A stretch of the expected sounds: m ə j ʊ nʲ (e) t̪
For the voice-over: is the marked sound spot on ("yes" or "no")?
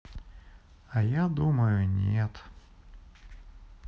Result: yes